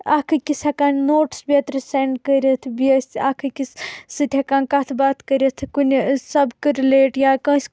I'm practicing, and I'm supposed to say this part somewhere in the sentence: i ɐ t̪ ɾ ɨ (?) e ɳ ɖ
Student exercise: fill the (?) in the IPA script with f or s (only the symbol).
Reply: s